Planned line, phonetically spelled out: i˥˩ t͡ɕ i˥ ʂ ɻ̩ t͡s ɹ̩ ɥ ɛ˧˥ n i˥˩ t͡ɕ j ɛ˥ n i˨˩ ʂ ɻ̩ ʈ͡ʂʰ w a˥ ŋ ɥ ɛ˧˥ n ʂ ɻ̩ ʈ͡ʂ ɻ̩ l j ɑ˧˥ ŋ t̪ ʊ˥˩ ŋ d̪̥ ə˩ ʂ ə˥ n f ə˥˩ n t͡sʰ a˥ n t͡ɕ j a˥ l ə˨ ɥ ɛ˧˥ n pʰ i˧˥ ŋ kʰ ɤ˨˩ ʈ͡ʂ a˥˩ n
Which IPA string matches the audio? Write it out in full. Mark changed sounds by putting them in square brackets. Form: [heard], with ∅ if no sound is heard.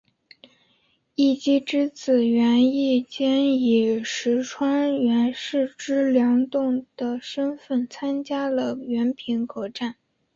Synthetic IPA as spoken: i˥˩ t͡ɕ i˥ [ʈ͡ʂ] ɻ̩ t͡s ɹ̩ ɥ ɛ˧˥ n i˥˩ t͡ɕ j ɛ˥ n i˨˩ ʂ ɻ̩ ʈ͡ʂʰ w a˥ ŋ ɥ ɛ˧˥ n ʂ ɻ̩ ʈ͡ʂ ɻ̩ l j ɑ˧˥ ŋ t̪ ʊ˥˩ ŋ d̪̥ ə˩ ʂ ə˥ n f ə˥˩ n t͡sʰ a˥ n t͡ɕ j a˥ l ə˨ ɥ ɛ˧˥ n pʰ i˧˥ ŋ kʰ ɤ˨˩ ʈ͡ʂ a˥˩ n